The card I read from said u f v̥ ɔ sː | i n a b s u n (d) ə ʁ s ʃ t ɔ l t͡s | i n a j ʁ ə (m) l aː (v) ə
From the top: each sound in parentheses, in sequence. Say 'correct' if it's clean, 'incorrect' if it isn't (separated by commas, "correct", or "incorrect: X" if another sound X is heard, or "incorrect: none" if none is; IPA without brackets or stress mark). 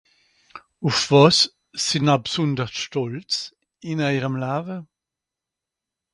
correct, correct, correct